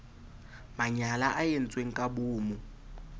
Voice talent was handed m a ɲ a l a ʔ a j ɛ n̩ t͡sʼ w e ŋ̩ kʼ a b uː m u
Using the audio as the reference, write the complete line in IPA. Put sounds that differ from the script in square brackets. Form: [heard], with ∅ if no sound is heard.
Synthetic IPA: m a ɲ a l a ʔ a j [e] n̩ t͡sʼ w e ŋ̩ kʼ a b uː m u